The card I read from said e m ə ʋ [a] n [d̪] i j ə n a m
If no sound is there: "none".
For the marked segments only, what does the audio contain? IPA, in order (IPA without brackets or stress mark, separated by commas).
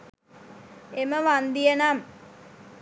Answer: a, d̪